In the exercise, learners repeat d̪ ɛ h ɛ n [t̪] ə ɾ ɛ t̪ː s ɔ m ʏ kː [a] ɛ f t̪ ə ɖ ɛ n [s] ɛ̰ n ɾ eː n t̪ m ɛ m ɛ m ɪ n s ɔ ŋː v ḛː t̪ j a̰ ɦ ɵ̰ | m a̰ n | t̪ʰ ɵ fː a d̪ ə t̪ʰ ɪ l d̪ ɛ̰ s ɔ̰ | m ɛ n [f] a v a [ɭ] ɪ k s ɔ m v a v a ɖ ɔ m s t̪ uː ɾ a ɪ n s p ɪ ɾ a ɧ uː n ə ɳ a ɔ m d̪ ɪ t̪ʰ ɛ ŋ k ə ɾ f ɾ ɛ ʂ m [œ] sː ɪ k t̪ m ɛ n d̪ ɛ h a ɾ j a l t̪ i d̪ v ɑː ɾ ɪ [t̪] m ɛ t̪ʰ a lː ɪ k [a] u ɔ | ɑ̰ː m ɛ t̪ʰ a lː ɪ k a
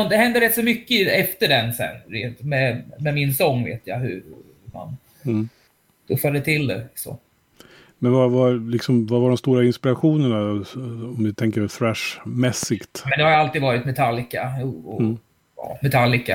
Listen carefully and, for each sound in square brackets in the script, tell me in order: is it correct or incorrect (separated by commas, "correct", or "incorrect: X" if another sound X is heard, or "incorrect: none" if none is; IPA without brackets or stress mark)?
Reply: incorrect: d̪, incorrect: ə, correct, incorrect: v, incorrect: l, incorrect: ɛ, correct, correct